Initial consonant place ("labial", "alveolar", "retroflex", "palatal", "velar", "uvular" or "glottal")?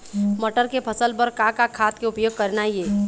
labial